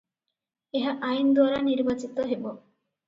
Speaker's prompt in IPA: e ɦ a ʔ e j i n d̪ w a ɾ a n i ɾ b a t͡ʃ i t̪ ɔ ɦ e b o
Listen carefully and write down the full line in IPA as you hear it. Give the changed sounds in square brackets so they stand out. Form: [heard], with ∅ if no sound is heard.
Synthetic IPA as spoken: e ɦ a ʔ [a] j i n d̪ w a ɾ a n i ɾ b a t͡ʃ i t̪ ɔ ɦ e b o